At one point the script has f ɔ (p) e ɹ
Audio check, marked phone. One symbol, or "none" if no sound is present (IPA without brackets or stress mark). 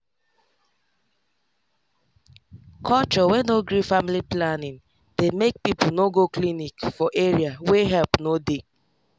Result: ʔ